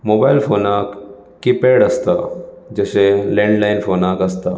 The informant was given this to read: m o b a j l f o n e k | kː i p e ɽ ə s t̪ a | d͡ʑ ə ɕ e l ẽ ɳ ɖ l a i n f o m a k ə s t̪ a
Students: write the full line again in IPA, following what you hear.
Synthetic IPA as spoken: m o b a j l f o n a k | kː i p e ɽ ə s t̪ a | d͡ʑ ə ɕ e l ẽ ɳ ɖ l a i n f o n a k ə s t̪ a